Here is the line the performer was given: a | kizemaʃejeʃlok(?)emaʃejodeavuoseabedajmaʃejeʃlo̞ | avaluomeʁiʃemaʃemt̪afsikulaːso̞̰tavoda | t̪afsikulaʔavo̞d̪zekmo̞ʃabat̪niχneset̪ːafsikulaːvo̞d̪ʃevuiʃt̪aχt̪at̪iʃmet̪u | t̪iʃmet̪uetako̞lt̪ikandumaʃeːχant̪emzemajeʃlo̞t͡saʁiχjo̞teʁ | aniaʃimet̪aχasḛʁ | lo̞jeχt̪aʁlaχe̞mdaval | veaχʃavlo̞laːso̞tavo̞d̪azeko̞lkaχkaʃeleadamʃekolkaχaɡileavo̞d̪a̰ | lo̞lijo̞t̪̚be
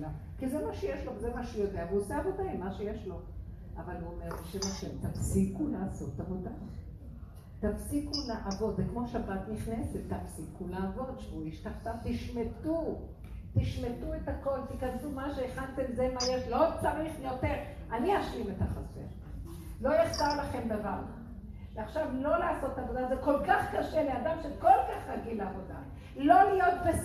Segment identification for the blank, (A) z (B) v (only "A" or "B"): A